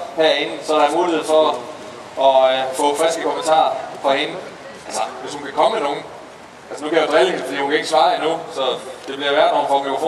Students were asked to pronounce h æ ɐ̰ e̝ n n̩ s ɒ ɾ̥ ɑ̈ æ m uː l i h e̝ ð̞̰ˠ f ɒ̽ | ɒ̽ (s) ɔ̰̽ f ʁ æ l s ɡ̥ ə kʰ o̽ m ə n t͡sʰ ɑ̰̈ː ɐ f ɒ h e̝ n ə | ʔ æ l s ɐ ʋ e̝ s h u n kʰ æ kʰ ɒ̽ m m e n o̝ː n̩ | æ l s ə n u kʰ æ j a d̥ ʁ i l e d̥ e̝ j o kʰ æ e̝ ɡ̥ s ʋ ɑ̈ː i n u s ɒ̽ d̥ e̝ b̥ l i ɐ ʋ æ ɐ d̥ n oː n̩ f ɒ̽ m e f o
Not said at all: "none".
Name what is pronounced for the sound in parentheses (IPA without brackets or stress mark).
f